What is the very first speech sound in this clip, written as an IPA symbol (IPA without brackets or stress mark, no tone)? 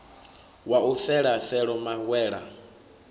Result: w